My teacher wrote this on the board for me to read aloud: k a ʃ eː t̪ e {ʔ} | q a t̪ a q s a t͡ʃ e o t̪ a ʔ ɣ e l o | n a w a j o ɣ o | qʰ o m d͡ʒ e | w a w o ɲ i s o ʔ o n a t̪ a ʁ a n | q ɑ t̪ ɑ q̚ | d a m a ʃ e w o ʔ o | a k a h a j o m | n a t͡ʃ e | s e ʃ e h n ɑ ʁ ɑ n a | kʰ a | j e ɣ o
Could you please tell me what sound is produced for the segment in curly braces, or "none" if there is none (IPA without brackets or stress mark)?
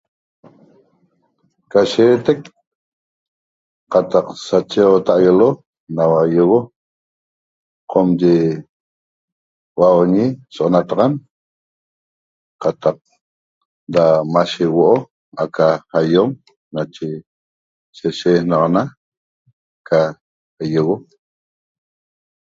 k